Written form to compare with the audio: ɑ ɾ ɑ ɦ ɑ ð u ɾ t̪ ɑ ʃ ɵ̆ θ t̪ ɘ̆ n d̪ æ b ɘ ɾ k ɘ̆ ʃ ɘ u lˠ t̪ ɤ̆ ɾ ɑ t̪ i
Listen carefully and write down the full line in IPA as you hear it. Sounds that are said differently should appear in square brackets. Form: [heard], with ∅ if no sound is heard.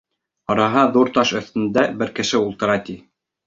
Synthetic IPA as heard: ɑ ɾ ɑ ɦ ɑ ð u ɾ t̪ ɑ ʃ ɵ̆ θ t̪ ɘ̆ n d̪ æ b ɘ ɾ k ɘ̆ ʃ ɘ u lˠ t̪ ɤ̆ ɾ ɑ t̪ i